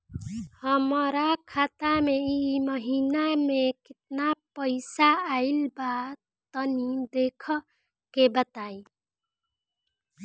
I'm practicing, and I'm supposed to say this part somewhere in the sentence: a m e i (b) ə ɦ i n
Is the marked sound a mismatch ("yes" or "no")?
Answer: yes